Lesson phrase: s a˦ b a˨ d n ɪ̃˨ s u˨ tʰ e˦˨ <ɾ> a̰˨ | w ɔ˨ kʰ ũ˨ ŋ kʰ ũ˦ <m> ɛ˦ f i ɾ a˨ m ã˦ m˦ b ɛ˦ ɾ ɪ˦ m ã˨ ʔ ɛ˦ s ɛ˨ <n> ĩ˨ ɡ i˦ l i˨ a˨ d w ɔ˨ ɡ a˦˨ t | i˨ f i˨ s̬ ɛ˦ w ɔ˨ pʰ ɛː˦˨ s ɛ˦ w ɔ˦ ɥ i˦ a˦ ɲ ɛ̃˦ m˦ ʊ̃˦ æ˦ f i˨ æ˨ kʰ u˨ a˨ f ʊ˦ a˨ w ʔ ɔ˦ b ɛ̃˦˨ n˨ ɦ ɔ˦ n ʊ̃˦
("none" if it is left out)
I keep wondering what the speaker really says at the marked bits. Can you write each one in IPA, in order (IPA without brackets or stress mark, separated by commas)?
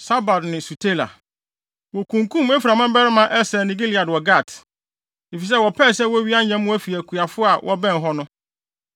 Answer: l, m, n